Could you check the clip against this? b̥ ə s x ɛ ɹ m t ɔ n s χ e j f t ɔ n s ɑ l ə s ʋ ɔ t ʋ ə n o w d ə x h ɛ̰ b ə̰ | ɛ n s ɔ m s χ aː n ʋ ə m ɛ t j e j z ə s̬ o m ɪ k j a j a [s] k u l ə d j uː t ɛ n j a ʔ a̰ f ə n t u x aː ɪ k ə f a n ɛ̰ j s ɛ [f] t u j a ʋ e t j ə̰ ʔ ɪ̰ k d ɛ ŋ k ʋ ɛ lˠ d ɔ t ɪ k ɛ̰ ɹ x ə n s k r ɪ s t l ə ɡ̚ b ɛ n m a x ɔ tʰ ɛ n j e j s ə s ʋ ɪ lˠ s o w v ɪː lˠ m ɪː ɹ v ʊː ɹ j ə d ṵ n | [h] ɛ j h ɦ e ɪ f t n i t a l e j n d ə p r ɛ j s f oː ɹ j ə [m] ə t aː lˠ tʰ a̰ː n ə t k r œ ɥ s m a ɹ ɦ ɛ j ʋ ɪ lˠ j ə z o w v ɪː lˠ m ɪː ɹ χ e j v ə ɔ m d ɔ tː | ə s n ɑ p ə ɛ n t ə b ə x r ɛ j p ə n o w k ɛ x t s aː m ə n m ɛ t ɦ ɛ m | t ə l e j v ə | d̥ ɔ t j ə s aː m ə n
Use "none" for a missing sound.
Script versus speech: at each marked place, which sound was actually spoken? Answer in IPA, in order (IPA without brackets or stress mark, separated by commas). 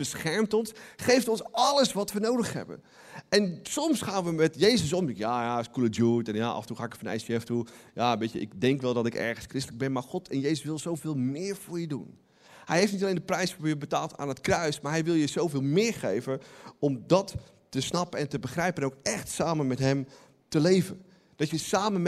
s, f, h, b